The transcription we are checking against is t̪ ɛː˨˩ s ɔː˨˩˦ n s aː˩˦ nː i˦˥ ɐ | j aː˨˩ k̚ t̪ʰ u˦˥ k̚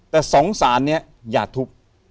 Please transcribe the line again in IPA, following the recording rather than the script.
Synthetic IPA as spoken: t̪ ɛː˨˩ s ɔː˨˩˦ ŋ s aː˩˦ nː i˦˥ ɐ | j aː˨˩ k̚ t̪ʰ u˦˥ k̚